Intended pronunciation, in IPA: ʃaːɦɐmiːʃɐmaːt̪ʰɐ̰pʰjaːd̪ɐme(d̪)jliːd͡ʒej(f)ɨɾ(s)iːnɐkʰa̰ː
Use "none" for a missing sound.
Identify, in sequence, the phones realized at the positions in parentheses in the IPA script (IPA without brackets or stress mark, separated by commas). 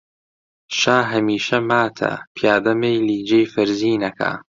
none, f, z